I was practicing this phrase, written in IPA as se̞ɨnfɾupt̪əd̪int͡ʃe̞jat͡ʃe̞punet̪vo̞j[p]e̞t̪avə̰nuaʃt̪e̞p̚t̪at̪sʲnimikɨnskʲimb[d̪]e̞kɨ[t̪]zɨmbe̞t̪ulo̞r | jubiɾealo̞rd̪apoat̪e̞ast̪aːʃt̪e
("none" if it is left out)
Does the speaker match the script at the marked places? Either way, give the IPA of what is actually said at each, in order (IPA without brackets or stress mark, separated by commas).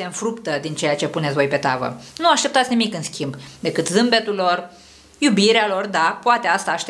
p, d̪, t̪